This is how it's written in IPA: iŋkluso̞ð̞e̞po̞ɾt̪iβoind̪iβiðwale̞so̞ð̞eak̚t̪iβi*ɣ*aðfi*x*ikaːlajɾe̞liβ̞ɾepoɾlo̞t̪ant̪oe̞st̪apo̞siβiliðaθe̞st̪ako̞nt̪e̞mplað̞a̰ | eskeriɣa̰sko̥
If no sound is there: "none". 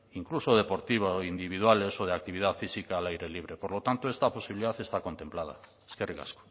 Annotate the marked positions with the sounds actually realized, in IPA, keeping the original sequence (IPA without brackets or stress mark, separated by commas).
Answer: ð, s